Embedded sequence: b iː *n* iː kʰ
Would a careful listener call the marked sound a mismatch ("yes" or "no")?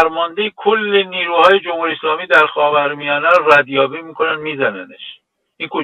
yes